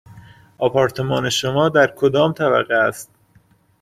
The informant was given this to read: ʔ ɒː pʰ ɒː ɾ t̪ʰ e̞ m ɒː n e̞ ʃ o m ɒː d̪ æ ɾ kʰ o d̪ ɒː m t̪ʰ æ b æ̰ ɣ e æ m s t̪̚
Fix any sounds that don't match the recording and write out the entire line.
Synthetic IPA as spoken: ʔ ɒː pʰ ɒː ɾ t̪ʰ e̞ m ɒː n e̞ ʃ o m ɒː d̪ æ ɾ kʰ o d̪ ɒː m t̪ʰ æ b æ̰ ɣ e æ s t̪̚

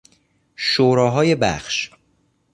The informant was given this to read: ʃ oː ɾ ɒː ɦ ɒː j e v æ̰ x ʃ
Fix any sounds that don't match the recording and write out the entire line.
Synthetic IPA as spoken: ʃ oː ɾ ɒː ɦ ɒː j e b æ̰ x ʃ

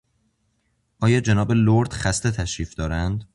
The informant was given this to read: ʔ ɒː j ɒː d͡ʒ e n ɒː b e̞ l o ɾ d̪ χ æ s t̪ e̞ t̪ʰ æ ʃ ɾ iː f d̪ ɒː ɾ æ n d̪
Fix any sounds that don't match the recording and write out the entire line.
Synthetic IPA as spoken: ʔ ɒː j ɒː d͡ʒ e n ɒː b e̞ l o ɾ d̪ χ æ s t̪ e̞ t̪ʰ æ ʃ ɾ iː f d̪ ɒː ɾ æ n d̪

